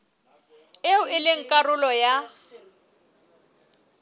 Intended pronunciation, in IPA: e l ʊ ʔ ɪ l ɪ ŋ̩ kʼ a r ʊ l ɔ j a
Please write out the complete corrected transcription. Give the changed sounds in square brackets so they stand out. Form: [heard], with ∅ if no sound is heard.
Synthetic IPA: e [∅] ʊ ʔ ɪ l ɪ ŋ̩ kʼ a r ʊ l ɔ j a